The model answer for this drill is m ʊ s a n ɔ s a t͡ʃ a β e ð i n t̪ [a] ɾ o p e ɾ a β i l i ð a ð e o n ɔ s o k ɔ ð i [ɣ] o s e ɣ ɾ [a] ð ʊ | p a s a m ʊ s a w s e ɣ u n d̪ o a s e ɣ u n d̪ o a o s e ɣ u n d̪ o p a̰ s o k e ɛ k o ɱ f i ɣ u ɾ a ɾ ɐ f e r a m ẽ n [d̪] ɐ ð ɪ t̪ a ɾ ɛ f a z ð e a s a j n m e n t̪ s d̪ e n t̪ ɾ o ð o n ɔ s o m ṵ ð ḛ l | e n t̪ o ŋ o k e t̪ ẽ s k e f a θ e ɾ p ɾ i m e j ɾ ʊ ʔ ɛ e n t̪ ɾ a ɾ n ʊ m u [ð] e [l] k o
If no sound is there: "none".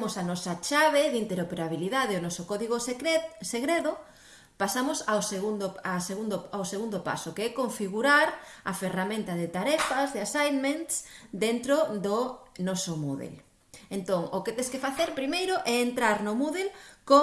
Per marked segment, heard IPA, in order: e, ɣ, e, t̪, ð, l

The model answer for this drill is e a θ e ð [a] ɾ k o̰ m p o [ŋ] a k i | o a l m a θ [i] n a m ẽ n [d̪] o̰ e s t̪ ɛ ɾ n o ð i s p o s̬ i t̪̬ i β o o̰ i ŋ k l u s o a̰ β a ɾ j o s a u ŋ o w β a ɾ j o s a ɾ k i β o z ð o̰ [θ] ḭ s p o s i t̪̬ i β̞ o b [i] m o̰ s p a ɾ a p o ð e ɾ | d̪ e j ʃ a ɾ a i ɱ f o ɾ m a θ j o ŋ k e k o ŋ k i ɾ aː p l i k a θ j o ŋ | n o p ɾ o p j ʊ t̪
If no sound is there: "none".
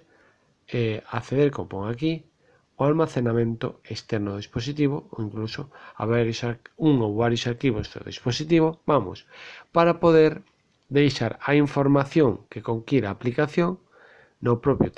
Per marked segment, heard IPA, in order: e, ŋ, e, t̪, ð, a

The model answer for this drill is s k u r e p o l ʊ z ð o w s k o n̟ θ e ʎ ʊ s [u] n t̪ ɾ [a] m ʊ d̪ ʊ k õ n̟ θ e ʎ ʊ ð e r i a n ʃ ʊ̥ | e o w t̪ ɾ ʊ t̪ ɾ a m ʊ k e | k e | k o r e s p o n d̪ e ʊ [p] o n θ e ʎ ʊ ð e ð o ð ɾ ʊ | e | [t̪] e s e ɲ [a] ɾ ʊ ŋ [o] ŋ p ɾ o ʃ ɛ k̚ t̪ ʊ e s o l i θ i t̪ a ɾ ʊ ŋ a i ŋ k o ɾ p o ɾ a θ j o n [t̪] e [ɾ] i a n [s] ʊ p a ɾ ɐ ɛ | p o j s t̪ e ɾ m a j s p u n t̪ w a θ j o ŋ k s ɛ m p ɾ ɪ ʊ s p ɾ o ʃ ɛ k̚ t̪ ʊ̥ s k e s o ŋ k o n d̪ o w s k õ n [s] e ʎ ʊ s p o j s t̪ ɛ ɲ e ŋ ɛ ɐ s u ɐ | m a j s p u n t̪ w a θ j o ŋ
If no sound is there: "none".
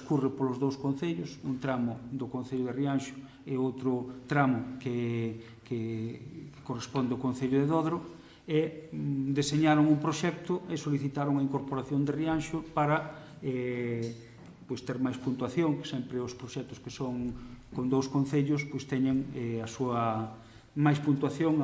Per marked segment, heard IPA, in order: u, a, k, d̪, a, u, d̪, r, ʃ, θ

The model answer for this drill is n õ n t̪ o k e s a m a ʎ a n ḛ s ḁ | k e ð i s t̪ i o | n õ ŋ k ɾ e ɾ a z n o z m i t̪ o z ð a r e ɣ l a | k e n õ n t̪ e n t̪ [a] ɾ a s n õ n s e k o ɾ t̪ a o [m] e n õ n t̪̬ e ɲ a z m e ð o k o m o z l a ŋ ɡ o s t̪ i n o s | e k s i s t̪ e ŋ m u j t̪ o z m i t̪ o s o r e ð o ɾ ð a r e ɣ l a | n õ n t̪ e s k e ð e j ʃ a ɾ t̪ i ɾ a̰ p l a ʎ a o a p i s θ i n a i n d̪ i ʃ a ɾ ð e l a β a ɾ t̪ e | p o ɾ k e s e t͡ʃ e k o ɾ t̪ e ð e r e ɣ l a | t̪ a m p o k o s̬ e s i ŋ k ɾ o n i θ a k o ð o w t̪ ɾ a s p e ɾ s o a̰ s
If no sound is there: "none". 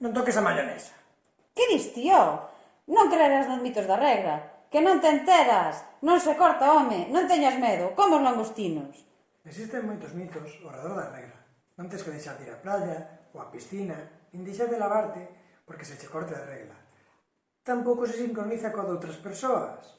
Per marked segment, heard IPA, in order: e, m

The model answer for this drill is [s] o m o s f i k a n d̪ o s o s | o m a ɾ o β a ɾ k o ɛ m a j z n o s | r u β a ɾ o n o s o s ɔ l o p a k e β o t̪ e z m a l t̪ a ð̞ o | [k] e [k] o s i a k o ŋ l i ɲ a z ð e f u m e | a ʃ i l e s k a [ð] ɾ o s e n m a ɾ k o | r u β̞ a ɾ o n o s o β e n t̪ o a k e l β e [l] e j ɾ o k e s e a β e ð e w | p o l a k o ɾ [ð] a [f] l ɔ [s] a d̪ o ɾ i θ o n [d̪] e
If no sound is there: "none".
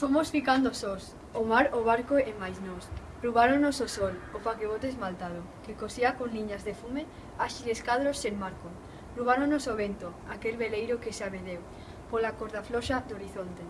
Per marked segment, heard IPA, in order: f, k, k, ð, l, ð, f, ʃ, t̪

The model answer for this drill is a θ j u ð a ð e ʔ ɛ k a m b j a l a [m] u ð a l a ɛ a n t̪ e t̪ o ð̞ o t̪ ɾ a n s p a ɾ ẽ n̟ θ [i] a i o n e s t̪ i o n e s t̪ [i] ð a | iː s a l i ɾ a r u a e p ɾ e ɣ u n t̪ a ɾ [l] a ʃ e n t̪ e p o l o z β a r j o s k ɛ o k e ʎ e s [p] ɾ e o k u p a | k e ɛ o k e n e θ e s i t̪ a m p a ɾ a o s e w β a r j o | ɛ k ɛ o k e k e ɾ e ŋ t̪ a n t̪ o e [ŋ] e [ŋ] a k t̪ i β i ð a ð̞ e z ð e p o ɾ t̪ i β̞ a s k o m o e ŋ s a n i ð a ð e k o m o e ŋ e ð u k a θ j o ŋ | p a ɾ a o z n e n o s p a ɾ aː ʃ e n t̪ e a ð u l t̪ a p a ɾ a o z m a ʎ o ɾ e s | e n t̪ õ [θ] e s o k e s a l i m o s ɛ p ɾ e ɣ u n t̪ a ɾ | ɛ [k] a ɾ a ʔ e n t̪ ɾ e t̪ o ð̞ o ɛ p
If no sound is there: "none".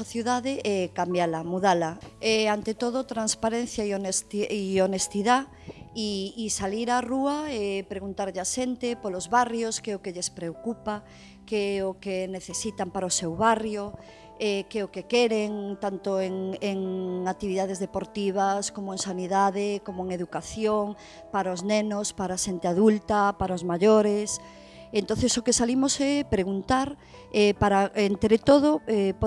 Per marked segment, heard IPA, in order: m, j, i, ʎ, p, ŋ, ŋ, θ, p

